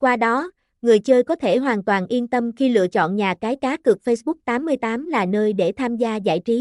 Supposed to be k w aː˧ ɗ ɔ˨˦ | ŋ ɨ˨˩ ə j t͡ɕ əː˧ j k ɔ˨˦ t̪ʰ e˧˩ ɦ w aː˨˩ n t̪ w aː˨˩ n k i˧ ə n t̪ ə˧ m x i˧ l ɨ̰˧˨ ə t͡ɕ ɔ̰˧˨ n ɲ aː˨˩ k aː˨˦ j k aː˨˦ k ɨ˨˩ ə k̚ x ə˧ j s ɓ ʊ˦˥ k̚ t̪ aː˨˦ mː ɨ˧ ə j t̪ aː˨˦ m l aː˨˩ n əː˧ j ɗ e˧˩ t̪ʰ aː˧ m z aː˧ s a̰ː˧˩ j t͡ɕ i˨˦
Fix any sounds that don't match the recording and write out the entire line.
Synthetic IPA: k w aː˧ ɗ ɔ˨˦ | ŋ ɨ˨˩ ə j t͡ɕ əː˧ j k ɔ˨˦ t̪ʰ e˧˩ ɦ w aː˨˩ n t̪ w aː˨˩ n ʔ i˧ ə n t̪ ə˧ m x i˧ l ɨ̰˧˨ ə t͡ɕ ɔ̰˧˨ n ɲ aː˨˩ k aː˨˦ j k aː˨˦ k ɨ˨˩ ə k̚ f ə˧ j s ɓ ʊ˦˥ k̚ t̪ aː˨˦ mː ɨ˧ ə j t̪ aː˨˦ m l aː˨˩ n əː˧ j ɗ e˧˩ t̪ʰ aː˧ m z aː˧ z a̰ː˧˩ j t͡ɕ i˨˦